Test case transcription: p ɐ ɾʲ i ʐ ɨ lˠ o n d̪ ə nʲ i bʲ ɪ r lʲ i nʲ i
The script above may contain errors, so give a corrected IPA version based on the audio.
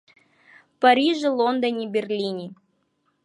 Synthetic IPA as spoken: p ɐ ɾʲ i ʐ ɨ lˠ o n d̪ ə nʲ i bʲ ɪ r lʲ i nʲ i

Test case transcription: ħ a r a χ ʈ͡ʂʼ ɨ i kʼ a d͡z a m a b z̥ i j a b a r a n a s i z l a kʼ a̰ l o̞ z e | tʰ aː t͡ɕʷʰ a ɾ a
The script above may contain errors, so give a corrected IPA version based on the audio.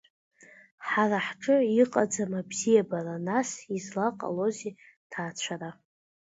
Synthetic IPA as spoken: ħ a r a ħ ʈ͡ʂʼ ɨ i qʼ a d͡z a m a b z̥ i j a b a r a n a s i z l a qʼ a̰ l o̞ z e | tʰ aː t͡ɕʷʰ a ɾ a

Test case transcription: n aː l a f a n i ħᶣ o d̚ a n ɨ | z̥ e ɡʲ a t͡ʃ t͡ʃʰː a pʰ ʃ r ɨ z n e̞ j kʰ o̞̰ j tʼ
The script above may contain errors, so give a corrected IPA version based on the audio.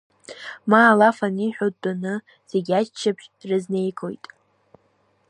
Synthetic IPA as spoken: m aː l a f a n i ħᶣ o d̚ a n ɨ | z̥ e ɡʲ a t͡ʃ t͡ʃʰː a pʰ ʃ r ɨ z n e̞ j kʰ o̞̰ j tʼ

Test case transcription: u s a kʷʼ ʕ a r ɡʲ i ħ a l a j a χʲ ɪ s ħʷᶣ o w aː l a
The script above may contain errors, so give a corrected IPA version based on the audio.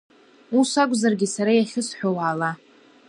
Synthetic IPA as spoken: u s a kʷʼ z a r ɡʲ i s a ɾ a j a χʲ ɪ s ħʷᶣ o w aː l a

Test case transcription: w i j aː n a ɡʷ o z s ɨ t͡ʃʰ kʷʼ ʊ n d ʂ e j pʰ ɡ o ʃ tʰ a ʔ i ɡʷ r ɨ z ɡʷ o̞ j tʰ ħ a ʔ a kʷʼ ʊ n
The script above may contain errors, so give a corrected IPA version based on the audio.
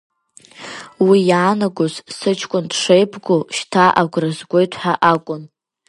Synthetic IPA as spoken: w i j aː n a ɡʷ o z s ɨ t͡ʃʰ kʷʼ ʊ n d ʂ e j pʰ ɡ o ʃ tʰ a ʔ a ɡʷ r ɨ z ɡʷ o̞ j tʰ ħ a ʔ a kʷʼ ʊ n

